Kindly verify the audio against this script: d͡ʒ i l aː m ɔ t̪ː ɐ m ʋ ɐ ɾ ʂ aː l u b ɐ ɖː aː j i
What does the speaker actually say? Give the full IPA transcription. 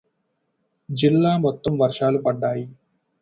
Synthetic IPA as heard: d͡ʒ i lː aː m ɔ t̪ː ɐ m ʋ ɐ ɾ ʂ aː l u p ɐ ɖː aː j i